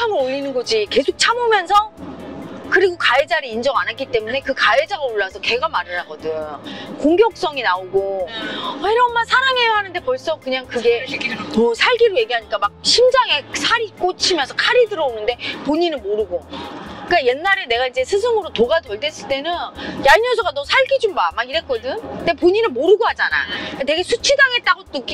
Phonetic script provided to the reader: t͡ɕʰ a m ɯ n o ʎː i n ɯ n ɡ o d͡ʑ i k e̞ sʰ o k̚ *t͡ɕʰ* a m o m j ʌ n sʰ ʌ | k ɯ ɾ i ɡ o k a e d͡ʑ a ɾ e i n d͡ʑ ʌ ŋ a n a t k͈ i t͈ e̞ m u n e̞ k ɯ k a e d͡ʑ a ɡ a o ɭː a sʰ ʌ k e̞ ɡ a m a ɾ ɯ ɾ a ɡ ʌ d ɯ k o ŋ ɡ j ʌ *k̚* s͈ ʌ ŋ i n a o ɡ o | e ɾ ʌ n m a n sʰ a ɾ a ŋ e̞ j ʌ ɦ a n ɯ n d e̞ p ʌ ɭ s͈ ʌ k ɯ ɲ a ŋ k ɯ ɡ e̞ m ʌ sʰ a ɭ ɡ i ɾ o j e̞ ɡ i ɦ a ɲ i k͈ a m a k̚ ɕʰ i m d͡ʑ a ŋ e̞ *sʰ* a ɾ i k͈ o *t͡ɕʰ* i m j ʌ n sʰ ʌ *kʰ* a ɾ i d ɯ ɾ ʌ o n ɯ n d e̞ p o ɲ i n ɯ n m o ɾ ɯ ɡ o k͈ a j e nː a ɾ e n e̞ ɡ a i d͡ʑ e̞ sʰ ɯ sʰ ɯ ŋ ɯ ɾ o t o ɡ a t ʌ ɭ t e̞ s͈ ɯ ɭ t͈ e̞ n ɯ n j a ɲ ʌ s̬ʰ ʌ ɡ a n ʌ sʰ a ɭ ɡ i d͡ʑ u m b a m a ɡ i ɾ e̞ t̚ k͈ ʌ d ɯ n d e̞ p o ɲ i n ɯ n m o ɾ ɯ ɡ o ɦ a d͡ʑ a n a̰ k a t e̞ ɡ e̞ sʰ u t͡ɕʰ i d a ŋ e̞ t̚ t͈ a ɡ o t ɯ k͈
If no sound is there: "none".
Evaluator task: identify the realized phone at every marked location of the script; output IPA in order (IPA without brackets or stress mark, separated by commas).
t͡ɕʰ, k̚, sʰ, t͡ɕʰ, kʰ